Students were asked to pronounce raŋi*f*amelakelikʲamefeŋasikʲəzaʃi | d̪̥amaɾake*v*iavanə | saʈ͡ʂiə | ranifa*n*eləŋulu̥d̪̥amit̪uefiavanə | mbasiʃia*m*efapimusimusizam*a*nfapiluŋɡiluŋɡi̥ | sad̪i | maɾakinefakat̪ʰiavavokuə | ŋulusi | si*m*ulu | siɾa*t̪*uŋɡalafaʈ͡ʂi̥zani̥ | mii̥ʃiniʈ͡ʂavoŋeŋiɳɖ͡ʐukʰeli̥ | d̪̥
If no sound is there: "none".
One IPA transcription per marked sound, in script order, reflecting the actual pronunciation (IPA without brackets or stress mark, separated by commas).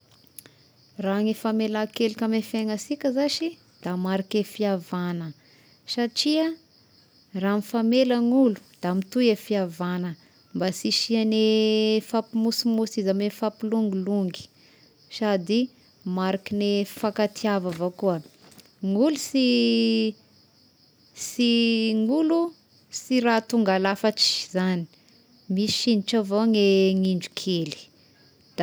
f, f, m, n, e, ŋ, t̪